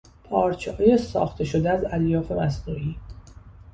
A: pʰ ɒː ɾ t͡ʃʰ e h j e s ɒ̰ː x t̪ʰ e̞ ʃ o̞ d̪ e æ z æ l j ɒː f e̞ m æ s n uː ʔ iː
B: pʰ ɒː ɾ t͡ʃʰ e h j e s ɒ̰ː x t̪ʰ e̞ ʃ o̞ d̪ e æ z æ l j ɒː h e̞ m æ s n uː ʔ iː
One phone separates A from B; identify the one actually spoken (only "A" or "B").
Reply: A